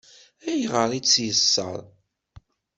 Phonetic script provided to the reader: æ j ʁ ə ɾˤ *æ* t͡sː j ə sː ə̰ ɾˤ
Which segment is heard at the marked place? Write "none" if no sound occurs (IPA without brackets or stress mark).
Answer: i